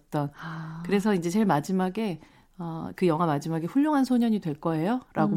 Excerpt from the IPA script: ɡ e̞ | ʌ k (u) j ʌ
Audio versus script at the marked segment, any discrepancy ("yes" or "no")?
yes